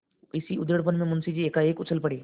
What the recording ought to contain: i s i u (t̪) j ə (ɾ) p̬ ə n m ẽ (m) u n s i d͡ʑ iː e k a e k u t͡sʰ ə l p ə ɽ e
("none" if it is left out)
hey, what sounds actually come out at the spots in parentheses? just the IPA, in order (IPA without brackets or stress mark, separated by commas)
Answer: d̪, ɽ, m